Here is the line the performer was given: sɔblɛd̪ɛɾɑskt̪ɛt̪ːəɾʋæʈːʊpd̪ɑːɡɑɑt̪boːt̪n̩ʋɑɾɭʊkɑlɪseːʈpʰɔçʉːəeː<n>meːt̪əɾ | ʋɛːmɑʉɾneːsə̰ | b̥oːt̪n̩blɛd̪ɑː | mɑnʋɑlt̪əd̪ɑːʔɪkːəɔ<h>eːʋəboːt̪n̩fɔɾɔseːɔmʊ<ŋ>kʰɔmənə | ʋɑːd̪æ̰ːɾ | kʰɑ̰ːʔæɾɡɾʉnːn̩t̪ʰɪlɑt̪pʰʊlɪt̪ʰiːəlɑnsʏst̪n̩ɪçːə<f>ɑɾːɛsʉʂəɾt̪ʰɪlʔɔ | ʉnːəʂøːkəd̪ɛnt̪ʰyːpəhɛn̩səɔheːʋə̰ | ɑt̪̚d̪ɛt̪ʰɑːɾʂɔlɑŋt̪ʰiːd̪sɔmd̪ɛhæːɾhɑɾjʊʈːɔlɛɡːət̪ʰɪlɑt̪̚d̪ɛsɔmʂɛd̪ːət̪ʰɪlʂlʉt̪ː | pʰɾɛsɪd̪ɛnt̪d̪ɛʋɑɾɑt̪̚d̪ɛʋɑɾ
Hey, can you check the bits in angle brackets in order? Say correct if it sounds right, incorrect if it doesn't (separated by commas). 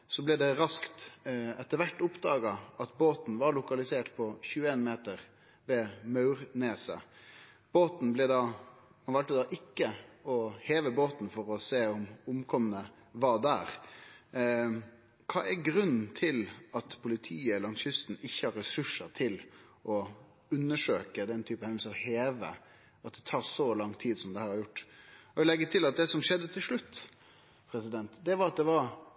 correct, correct, incorrect, incorrect